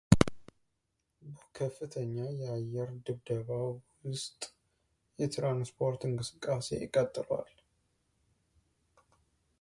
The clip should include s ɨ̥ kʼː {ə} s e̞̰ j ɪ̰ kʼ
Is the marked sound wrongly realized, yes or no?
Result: yes